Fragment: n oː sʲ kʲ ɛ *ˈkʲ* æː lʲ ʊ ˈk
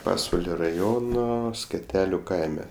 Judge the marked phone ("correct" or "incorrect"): incorrect